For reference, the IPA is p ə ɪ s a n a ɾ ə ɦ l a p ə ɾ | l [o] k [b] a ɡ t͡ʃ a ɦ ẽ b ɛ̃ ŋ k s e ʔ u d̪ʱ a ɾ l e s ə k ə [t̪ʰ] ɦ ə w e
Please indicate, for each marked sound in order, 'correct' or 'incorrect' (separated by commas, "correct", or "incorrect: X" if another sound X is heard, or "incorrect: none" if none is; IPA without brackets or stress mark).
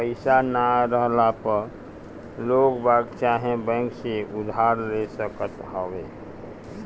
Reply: correct, correct, incorrect: t̪